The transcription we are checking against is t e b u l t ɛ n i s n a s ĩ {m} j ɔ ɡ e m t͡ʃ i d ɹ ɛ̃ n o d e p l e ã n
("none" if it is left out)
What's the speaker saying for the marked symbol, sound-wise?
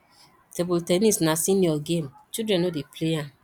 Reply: n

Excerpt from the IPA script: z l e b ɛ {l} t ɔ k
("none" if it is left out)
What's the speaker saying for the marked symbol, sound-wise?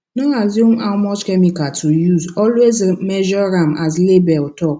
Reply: l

